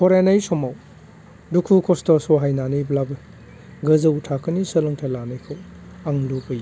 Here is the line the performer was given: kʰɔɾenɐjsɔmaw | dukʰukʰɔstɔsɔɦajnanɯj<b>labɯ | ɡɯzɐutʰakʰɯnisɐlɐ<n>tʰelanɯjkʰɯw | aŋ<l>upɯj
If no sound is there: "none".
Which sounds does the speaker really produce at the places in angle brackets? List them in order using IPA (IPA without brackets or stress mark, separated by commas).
b, ŋ, l